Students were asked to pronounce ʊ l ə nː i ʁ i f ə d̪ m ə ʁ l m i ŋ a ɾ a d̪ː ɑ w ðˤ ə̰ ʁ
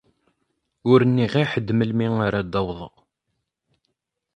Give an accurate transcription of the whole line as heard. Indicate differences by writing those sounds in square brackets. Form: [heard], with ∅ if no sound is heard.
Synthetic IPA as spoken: ʊ [ɾ] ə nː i ʁ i [ħ] ə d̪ m ə [∅] l m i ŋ a ɾ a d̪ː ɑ w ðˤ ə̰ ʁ